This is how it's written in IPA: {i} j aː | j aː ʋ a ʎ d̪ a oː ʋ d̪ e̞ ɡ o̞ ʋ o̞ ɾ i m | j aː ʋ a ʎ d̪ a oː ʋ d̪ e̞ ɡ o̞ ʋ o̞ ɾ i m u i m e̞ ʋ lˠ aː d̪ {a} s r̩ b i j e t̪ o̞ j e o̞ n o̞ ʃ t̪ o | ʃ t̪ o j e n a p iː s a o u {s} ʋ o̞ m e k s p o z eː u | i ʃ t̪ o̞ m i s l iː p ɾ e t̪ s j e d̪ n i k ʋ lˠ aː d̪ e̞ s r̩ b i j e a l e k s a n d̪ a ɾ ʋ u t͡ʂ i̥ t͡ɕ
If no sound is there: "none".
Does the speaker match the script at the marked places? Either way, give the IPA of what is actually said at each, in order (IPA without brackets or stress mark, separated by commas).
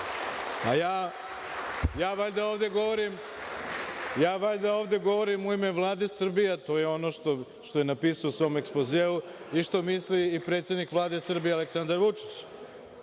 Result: a, e, s